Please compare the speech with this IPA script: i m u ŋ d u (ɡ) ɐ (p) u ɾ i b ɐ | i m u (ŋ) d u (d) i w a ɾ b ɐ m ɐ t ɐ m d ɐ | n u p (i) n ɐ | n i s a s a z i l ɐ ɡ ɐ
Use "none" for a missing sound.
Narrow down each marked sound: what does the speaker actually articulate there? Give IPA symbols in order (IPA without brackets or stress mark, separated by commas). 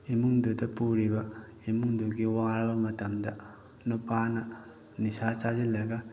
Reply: d, p, ŋ, ɡ, a